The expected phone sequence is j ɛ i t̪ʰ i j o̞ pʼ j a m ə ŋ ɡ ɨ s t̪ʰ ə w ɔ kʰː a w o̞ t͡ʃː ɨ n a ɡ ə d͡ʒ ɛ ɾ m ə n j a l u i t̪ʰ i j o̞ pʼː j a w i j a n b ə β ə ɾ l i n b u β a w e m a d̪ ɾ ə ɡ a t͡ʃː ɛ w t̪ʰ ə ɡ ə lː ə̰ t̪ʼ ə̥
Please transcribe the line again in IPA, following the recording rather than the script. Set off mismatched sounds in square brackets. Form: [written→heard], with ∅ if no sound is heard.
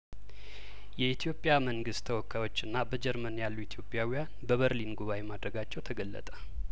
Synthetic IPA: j ɛ i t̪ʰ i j o̞ pʼ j a m ə ŋ ɡ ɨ s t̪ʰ ə w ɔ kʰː a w o̞ t͡ʃː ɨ [n→nː] a [ɡ→b] ə d͡ʒ ɛ ɾ m ə n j a [l→lː] u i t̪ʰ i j o̞ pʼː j a w i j a n b ə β ə ɾ l i n [b→ɡ] u β a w e m a d̪ ɾ ə ɡ a t͡ʃː ɛ w t̪ʰ ə ɡ ə lː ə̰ t̪ʼ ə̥